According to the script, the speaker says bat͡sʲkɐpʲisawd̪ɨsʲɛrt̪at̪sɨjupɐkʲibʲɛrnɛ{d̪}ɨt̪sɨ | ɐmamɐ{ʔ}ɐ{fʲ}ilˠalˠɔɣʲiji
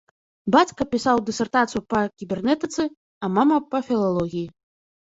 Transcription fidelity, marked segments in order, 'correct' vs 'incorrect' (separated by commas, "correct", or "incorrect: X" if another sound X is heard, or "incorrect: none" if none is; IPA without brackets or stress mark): incorrect: t̪, incorrect: p, correct